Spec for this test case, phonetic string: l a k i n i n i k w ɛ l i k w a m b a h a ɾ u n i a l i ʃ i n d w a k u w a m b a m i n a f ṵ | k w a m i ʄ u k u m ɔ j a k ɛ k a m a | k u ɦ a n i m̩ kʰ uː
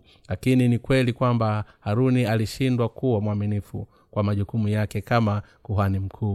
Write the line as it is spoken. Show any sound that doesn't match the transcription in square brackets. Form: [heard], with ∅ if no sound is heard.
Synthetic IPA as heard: l a k i n i n i k w ɛ l i k w a m b a h a ɾ u n i a l i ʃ i n d w a k u w a m [w] a m i n [i] f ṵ | k w a m [a] ʄ u k u m [u] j a k ɛ k a m a | k u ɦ a n i m̩ kʰ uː